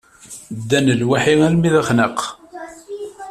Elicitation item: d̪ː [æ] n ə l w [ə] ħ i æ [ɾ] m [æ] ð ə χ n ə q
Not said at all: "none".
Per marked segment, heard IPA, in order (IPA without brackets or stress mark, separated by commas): æ, a, l, i